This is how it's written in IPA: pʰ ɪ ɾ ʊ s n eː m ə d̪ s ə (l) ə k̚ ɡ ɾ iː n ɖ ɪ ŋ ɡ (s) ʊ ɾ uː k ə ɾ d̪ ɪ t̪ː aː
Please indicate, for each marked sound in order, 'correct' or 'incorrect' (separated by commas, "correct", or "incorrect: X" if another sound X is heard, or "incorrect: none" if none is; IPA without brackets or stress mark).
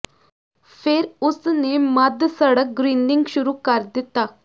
incorrect: ɽ, incorrect: ʃ